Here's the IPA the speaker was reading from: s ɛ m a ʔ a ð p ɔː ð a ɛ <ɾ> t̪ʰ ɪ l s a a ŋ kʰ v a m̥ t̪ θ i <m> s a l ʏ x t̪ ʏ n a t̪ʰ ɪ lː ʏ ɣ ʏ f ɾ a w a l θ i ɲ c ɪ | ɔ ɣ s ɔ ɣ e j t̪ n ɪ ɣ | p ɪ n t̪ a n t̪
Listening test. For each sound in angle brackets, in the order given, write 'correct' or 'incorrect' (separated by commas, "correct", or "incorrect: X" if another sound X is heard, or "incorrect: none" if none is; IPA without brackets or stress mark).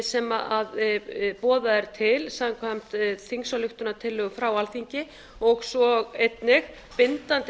correct, incorrect: ŋ